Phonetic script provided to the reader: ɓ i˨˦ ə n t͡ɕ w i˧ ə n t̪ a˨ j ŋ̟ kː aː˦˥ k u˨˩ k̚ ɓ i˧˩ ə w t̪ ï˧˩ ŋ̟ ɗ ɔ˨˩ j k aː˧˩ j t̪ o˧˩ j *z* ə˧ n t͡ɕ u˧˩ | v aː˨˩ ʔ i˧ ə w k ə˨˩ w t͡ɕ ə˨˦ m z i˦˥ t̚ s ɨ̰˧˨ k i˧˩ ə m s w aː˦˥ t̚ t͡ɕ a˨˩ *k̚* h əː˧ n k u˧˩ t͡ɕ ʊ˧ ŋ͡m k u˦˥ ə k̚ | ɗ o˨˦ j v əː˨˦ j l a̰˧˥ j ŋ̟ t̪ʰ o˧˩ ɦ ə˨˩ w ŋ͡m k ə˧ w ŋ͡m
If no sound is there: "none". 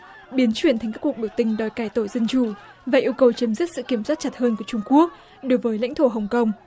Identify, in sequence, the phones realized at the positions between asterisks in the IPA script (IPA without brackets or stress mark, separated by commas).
z, t̚